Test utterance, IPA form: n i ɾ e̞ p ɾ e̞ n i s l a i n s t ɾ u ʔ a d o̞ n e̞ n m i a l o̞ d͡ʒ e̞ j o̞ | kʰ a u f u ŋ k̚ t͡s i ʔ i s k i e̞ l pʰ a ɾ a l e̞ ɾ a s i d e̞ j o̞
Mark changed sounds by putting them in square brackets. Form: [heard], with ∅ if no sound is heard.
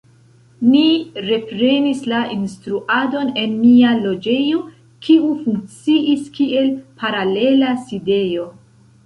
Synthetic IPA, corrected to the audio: n i ɾ e̞ p ɾ e̞ n i s l a i n s t ɾ u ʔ a d o̞ n e̞ n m i a l o̞ d͡ʒ e̞ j o̞ | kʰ [i] u f u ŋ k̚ t͡s i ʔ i s k i e̞ l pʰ a ɾ a l e̞ [l] a s i d e̞ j o̞